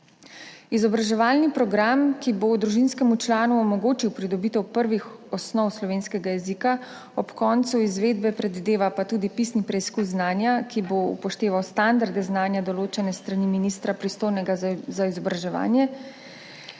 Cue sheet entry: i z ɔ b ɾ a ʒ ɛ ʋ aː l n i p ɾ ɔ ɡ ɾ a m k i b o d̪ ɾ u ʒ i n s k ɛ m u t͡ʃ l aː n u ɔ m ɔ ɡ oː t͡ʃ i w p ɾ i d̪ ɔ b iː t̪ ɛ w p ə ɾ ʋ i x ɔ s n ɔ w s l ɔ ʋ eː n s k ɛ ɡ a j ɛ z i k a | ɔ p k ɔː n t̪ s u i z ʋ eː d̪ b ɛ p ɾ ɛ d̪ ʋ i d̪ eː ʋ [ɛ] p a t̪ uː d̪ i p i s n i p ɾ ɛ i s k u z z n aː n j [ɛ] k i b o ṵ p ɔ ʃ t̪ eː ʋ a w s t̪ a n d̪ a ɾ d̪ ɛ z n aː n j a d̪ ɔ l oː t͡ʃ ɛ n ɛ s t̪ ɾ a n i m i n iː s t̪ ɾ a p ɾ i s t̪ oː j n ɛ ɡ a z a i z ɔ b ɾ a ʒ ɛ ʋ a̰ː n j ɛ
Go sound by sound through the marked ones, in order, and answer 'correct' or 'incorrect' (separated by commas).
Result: incorrect, incorrect